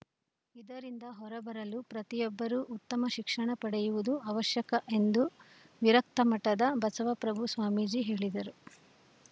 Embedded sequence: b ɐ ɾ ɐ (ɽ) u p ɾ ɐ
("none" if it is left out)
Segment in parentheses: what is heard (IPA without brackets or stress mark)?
l